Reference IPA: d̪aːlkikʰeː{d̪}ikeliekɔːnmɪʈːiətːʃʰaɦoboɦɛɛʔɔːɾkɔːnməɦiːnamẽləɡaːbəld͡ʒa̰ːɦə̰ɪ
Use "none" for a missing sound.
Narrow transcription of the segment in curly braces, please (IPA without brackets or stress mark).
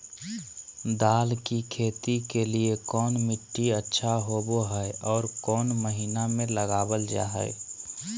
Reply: t̪